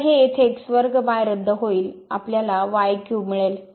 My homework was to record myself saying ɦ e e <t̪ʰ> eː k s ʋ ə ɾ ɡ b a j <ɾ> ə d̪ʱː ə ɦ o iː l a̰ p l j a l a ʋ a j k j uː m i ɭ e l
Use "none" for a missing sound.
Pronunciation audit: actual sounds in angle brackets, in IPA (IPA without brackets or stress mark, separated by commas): t̪ʰ, ɾ